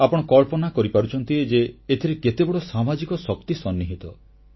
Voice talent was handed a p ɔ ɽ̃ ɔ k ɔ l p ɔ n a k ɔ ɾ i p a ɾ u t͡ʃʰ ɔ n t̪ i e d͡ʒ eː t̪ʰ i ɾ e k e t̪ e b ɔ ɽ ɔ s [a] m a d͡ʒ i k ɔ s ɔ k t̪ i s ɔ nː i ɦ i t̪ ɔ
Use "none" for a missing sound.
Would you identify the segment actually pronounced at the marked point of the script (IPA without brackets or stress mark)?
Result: a